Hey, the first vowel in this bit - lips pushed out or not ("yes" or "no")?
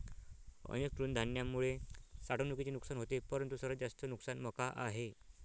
no